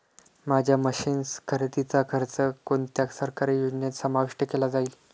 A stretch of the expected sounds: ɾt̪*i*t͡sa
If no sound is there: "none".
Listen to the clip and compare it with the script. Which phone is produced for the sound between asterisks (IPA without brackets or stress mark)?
i